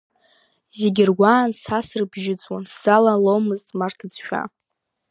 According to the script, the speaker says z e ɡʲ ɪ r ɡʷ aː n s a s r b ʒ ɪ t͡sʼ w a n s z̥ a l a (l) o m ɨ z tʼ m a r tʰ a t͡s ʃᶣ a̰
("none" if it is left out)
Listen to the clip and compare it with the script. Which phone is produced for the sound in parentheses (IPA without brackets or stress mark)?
l